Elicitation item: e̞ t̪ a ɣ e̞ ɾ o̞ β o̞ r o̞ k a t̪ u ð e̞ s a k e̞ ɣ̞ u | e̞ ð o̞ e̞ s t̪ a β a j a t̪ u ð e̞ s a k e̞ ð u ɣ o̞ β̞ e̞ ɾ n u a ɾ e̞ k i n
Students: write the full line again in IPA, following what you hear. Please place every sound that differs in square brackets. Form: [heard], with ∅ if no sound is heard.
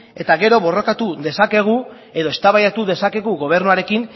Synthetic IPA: e̞ t̪ a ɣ e̞ ɾ o̞ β o̞ r o̞ k a t̪ u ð e̞ s a k e̞ ɣ̞ u | e̞ ð o̞ e̞ s t̪ a β a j a t̪ u ð e̞ s a k e̞ [ɣ] u ɣ o̞ β̞ e̞ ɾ n u a ɾ e̞ k i n